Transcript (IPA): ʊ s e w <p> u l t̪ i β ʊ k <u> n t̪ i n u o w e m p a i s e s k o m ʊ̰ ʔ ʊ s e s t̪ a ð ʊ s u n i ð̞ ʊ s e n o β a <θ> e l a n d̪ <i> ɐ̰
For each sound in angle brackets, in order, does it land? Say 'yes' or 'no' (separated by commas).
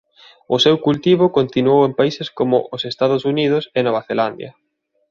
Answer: no, no, yes, no